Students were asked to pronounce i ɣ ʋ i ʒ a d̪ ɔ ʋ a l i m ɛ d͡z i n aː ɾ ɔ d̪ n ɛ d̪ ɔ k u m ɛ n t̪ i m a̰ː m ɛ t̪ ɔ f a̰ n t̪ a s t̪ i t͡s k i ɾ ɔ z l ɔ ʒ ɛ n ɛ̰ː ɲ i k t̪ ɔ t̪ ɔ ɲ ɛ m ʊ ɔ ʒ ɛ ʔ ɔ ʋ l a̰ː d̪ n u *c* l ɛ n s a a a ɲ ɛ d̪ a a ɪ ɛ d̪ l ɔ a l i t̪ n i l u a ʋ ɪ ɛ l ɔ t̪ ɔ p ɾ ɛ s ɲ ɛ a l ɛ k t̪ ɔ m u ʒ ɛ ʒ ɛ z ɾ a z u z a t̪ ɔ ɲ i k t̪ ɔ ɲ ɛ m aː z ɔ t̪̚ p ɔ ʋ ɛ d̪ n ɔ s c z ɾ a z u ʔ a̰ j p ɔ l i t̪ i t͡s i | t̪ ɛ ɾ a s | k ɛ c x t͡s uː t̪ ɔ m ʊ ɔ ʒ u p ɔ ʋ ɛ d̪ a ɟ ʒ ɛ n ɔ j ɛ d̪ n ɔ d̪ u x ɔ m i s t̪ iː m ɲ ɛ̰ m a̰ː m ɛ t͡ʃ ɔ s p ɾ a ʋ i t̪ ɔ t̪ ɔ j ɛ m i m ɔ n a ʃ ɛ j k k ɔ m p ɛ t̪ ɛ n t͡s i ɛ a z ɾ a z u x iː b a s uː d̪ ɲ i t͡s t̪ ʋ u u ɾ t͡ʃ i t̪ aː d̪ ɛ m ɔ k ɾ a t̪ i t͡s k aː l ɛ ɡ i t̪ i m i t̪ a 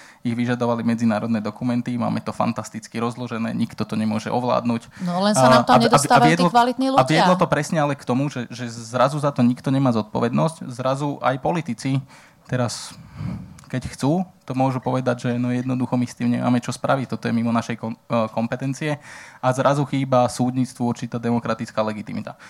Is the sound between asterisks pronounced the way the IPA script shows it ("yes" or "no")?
yes